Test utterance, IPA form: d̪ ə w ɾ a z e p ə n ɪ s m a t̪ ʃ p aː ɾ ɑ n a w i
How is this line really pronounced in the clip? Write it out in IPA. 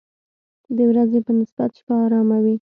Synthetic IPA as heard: d̪ ə w ɾ a z e p ə n ɪ s b a t̪ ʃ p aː ɾ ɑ m a w i